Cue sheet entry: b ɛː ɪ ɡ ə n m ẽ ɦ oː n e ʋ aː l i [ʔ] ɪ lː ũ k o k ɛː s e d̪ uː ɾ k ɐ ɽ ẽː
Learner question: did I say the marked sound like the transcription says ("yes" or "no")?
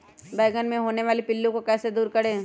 no